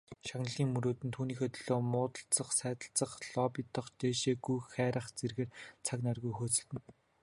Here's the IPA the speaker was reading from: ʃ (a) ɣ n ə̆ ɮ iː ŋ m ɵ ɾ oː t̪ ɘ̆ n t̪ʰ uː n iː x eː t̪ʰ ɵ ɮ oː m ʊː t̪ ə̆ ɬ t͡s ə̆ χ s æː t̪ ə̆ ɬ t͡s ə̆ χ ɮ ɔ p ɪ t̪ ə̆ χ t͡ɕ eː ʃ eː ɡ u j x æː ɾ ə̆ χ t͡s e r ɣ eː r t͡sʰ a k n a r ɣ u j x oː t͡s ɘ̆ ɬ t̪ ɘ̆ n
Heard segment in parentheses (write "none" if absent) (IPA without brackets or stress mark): a